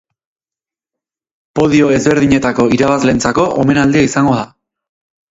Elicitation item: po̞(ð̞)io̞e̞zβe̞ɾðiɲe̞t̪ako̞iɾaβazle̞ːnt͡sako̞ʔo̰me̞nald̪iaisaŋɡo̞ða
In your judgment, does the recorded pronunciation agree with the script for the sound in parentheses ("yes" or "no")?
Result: yes